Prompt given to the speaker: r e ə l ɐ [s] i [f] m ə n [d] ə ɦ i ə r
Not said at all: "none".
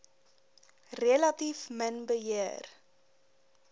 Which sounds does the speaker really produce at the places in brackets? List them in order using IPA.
t, f, b

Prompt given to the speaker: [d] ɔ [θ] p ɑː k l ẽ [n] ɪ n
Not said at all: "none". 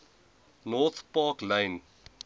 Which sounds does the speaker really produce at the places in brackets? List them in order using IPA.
n, θ, none

